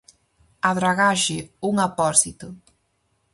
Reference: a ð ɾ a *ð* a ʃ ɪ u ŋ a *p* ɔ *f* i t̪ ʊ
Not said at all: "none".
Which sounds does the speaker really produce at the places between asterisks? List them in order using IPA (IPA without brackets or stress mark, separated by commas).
ɣ, p, s